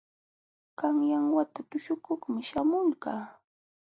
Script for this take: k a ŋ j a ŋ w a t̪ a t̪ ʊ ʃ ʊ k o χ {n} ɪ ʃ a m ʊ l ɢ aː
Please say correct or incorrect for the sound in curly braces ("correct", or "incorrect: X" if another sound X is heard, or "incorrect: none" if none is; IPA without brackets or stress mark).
incorrect: m